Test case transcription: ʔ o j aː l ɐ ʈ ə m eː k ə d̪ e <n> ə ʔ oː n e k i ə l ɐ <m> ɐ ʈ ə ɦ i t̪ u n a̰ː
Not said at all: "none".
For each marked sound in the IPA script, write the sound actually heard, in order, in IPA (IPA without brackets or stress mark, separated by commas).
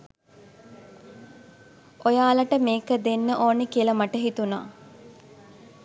nː, m